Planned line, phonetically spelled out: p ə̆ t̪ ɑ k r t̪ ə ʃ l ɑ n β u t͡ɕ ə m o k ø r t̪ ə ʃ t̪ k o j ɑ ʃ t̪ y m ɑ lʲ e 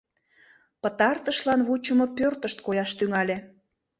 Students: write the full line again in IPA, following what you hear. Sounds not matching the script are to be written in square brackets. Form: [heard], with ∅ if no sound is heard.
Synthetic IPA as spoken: p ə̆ t̪ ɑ [∅] r t̪ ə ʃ l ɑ n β u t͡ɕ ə m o [p] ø r t̪ ə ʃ t̪ k o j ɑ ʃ t̪ y [ŋ] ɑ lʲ e